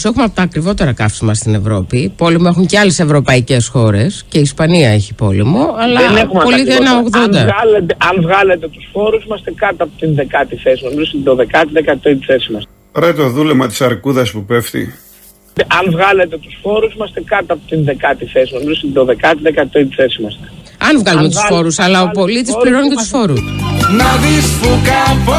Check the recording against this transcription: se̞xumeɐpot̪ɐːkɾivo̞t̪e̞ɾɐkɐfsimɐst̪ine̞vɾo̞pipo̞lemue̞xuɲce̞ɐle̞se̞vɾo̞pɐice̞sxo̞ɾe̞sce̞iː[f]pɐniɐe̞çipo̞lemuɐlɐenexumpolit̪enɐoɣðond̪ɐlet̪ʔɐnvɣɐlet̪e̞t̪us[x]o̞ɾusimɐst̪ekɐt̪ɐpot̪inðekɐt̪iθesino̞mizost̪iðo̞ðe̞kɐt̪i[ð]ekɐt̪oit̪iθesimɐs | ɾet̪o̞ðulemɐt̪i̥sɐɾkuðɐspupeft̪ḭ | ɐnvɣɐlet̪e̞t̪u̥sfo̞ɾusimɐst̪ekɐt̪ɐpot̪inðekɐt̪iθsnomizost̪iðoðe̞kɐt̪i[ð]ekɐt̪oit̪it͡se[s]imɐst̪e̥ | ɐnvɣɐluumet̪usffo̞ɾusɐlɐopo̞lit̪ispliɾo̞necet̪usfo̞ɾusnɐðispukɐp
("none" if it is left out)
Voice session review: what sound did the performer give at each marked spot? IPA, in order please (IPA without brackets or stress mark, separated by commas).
s, f, ð, ð, s